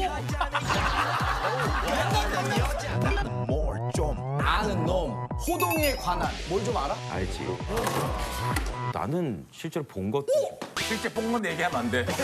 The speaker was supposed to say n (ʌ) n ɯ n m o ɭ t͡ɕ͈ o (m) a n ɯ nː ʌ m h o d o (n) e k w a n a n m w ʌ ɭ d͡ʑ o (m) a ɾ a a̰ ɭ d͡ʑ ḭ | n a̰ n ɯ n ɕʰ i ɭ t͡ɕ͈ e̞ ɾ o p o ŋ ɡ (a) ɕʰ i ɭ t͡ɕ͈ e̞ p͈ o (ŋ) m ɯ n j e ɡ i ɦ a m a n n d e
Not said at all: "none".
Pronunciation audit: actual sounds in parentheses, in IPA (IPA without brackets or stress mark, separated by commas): a, m, ŋ, m, ʌ, ŋ